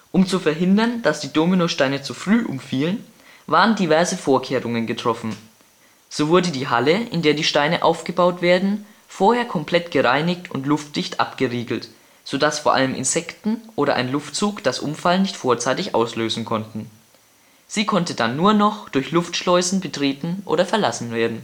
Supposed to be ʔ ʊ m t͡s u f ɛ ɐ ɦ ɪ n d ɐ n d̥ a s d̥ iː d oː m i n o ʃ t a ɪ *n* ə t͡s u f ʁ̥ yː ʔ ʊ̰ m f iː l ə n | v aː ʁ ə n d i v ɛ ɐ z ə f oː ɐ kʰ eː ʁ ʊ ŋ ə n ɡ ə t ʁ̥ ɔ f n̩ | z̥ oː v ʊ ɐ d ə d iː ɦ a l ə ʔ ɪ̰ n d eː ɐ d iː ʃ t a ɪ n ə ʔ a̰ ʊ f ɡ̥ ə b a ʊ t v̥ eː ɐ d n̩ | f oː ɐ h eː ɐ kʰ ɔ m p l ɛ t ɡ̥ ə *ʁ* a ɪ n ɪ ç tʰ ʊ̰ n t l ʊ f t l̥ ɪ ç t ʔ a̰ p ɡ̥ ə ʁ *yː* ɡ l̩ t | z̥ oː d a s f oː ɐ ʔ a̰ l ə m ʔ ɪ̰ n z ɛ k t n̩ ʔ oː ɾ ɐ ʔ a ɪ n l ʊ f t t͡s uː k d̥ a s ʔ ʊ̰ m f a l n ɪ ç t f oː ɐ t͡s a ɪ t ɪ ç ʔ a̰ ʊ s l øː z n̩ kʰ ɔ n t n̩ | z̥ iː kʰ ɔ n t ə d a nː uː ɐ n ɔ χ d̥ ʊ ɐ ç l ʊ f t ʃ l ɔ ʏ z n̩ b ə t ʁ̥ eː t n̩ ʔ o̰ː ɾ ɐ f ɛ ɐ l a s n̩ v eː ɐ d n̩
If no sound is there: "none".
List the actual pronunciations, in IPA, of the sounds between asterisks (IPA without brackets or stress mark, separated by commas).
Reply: n, ʁ, iː